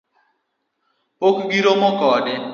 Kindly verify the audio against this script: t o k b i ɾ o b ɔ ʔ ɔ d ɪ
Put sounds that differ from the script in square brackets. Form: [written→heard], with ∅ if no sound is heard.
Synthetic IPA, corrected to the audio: [t→p] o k [b→ɡ] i ɾ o [b→m] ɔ [ʔ→k] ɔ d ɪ